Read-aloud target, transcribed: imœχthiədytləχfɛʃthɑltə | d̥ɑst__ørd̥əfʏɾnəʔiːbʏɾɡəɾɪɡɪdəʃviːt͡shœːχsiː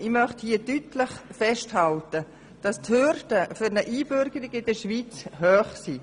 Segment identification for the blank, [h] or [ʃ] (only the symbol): h